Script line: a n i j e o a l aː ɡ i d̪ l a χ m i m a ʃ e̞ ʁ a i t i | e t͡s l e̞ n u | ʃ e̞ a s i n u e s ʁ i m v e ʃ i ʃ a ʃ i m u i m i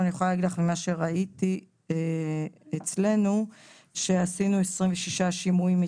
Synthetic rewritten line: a n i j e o a l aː ɡ i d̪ l a χ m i m a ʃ e̞ ʁ a i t i | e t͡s l e̞ n u | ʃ e̞ a s i n u e s ʁ i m v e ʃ i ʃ a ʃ i m u i m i